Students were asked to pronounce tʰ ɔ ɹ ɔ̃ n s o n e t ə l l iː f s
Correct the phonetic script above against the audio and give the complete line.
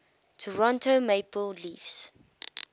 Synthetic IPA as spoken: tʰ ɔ ɹ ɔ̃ n t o m e p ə l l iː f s

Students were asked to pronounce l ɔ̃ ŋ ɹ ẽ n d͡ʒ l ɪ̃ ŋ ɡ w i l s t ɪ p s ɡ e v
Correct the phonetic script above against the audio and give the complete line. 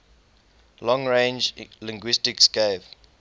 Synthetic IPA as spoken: l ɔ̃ ŋ ɹ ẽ n d͡ʒ l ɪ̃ ŋ ɡ w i s t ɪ k s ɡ e v

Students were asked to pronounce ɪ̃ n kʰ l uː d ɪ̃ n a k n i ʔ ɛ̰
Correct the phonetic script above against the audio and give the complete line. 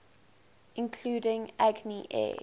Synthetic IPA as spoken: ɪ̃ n kʰ l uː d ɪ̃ ŋ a ɡ n i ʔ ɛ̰

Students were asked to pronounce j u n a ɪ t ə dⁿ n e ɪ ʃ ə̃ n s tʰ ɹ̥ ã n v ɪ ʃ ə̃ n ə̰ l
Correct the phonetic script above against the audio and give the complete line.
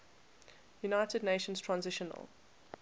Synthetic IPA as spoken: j u n a ɪ t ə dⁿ n e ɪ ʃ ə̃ n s tʰ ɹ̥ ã n z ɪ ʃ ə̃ n ə̰ l

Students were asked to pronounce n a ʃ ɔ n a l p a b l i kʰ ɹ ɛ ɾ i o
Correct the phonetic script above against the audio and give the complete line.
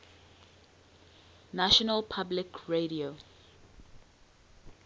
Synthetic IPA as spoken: n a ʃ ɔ n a l pʰ a b l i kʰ ɹ e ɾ i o

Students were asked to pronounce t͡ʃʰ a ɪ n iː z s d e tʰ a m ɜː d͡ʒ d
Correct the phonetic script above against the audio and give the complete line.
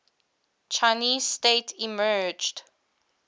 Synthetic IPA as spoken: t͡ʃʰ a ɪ n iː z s t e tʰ i m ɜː d͡ʒ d

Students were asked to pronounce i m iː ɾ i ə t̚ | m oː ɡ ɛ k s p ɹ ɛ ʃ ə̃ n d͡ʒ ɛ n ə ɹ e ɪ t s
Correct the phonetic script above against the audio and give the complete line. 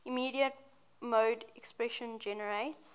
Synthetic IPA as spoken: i m iː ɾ i ə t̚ | m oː d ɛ k s p ɹ ɛ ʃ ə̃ n d͡ʒ ɛ n ə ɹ e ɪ t s

